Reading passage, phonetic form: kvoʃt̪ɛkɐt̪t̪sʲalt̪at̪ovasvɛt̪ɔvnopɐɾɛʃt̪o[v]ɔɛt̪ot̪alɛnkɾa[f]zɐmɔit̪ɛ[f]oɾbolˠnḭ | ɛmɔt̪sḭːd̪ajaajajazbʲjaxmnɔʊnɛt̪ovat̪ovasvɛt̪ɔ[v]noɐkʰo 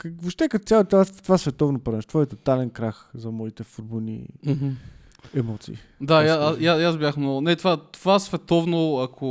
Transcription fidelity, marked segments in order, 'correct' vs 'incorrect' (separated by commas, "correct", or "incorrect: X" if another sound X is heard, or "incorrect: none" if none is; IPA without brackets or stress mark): correct, incorrect: x, correct, correct